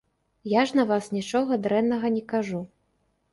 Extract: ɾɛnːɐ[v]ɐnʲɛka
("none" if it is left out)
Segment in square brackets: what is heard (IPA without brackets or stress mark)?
ɣ